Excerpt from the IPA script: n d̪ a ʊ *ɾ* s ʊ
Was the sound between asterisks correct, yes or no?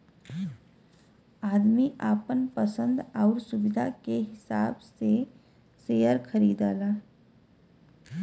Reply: yes